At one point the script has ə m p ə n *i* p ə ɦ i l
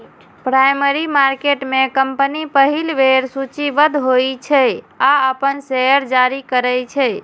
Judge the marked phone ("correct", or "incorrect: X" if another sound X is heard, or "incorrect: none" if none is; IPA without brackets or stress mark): correct